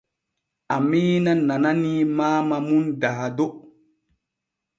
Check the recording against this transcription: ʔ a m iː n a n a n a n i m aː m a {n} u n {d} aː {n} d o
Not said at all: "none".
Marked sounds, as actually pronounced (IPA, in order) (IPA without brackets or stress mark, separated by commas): m, d, none